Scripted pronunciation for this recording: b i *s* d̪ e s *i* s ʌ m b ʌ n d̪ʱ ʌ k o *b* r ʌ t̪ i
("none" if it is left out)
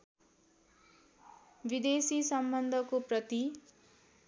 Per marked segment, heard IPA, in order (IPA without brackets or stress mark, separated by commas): none, i, p